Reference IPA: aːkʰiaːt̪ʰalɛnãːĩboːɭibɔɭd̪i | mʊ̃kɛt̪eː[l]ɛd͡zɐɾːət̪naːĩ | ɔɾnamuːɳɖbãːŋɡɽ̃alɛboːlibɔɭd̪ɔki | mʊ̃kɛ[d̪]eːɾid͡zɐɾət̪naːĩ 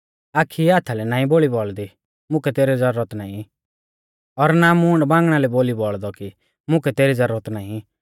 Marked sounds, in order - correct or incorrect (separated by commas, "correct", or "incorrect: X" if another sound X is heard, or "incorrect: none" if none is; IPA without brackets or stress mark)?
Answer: incorrect: ɾ, incorrect: t̪